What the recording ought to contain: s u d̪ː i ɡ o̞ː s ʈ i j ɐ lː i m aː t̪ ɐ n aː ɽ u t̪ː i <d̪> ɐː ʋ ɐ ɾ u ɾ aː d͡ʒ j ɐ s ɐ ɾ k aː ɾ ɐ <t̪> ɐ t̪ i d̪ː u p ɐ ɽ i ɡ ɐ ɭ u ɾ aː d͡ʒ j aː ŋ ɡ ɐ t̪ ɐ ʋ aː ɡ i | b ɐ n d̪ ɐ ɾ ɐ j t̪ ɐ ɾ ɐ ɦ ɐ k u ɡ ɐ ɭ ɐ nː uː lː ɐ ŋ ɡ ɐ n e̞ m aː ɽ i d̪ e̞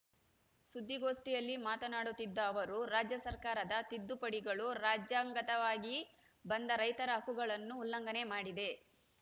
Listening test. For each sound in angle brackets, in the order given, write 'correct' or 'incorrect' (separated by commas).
incorrect, incorrect